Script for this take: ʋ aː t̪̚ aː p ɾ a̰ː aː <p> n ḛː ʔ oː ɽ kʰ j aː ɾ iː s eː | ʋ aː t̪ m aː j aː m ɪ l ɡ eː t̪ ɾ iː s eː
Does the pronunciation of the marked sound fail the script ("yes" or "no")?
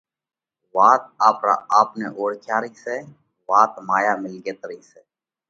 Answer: no